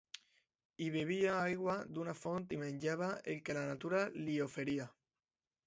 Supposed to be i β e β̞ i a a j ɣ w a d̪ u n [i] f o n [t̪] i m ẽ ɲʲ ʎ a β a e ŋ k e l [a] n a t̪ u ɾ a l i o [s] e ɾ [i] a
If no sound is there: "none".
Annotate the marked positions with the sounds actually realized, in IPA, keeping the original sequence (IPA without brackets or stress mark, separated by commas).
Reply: a, t̪, a, f, i